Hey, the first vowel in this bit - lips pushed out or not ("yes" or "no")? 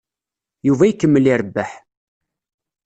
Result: yes